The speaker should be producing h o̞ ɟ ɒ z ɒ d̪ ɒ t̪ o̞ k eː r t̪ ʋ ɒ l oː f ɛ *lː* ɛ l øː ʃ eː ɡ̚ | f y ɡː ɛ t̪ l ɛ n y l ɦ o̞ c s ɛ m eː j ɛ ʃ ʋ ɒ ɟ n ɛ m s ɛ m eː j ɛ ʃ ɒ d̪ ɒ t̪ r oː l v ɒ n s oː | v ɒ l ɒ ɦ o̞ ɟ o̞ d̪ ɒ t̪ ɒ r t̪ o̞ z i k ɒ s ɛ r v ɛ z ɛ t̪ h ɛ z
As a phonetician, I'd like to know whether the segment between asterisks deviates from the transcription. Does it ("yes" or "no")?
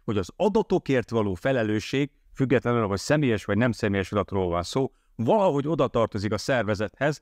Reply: yes